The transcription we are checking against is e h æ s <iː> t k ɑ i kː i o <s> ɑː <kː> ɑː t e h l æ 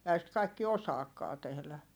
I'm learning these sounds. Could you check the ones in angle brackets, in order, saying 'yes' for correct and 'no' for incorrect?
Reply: no, yes, yes

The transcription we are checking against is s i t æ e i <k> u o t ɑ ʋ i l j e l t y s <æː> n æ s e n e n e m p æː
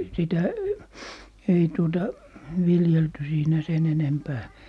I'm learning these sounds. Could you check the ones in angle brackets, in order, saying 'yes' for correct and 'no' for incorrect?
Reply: no, no

